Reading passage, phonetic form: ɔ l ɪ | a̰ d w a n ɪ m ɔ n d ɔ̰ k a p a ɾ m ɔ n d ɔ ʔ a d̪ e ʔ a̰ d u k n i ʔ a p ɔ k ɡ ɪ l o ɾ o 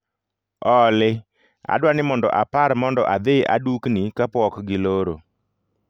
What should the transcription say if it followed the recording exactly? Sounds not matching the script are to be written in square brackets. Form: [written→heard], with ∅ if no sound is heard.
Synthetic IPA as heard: ɔ l ɪ | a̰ d w a n ɪ m ɔ n d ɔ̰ [k→ʔ] a p a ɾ m ɔ n d ɔ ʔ a d̪ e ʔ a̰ d u k n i [ʔ→k] a p ɔ k ɡ ɪ l o ɾ o